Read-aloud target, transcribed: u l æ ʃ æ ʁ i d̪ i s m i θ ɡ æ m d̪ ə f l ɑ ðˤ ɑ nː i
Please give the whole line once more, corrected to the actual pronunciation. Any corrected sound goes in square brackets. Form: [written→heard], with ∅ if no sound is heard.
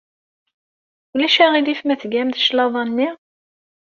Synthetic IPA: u l æ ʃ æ ʁ i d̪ i [s→f] m [i→æ] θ ɡ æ m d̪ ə [f→ʃ] l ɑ ðˤ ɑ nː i